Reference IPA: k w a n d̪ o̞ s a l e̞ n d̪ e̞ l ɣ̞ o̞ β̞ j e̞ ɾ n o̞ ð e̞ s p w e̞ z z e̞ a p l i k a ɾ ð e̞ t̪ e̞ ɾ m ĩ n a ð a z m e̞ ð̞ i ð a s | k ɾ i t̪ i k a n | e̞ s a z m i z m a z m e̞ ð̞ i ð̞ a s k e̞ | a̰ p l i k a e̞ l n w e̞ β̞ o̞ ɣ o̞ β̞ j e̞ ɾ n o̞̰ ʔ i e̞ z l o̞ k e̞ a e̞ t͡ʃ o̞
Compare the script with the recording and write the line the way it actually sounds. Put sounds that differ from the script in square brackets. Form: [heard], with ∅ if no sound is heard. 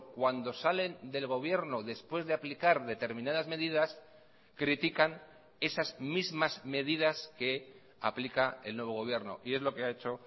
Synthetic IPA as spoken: k w a n d̪ o̞ s a l e̞ n d̪ e̞ l ɣ̞ o̞ β̞ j e̞ ɾ n o̞ ð e̞ s p w e̞ z [ð] e̞ a p l i k a ɾ ð e̞ t̪ e̞ ɾ m ĩ n a ð a z m e̞ ð̞ i ð a s | k ɾ i t̪ i k a n | e̞ s a z m i z m a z m e̞ ð̞ i ð̞ a s k e̞ | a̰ p l i k a e̞ l n w e̞ β̞ o̞ ɣ o̞ β̞ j e̞ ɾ n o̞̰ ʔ i e̞ z l o̞ k e̞ a e̞ t͡ʃ o̞